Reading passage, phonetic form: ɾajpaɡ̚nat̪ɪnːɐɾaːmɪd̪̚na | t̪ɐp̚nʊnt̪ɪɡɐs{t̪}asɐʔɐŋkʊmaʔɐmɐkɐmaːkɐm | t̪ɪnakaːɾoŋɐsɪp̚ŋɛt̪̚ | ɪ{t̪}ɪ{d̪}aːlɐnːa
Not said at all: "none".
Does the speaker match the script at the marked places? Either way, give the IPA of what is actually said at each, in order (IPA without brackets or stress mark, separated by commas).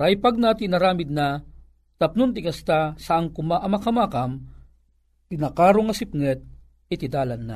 t̪, t̪, d̪